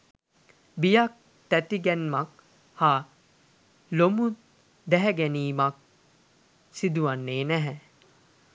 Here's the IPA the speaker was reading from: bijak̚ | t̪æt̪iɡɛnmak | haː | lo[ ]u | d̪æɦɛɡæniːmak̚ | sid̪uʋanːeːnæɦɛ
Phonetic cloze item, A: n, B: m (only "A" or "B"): B